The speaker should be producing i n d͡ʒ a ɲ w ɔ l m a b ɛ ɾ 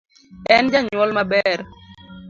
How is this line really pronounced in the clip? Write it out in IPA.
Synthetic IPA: ɛ n d͡ʒ a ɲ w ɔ l m a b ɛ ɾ